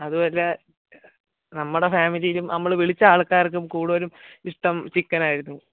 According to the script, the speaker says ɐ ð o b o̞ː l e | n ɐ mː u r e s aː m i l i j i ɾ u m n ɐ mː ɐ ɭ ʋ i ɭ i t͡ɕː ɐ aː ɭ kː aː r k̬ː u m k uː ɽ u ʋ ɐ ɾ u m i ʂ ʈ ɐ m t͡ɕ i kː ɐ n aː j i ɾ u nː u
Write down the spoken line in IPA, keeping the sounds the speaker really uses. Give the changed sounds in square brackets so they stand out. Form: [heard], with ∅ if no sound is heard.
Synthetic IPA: ɐ ð [u] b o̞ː l e | n ɐ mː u [ɽ] e [f] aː m i l i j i [l] u m n ɐ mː ɐ ɭ ʋ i ɭ i t͡ɕː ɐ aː ɭ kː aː r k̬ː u m k uː ɽ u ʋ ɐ ɾ u m i ʂ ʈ ɐ m t͡ɕ i kː ɐ n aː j i ɾ u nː u